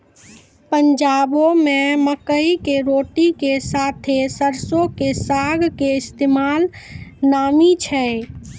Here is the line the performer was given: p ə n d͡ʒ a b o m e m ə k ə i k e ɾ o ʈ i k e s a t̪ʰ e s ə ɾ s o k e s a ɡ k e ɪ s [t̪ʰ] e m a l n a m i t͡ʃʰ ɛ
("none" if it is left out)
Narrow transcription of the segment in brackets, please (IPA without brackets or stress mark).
t̪